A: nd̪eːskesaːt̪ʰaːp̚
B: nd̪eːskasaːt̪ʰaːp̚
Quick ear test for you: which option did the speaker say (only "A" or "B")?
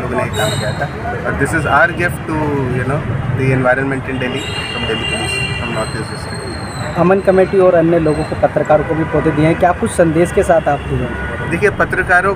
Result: A